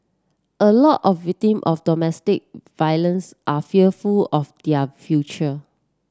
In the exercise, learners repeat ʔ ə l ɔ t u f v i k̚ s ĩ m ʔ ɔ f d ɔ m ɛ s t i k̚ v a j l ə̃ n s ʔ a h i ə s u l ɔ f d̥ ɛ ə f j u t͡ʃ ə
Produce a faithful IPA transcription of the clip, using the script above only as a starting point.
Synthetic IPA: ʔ ə l ɔ t ɔ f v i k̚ t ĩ m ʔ ɔ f d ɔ m ɛ s t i k̚ v a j l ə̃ n s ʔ a f i ə f u l ɔ f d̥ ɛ ə f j u t͡ʃ ə